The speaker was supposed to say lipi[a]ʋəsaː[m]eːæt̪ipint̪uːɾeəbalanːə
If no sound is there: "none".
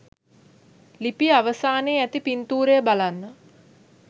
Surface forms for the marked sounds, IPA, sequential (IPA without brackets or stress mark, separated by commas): a, n